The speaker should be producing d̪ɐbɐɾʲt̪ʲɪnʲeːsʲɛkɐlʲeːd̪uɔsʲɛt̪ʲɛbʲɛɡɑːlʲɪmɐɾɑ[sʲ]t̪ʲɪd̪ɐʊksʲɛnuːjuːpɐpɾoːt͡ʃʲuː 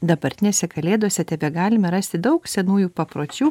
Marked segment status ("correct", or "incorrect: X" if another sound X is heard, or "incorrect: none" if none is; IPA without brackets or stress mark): correct